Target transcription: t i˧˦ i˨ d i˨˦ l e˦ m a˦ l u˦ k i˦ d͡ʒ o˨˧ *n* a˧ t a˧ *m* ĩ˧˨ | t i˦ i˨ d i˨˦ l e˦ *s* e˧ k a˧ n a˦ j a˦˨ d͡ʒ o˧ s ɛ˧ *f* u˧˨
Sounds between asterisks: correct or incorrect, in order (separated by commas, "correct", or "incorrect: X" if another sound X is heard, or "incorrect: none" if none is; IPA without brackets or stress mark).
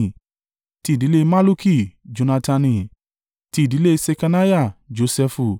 correct, incorrect: n, correct, correct